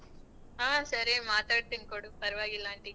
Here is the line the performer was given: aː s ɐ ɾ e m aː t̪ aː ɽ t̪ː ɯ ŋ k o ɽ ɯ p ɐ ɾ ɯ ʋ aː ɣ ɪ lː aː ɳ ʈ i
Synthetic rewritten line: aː s ɐ ɾ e m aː t̪ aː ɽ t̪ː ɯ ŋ k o ɽ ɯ p ɐ ɾ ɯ ʋ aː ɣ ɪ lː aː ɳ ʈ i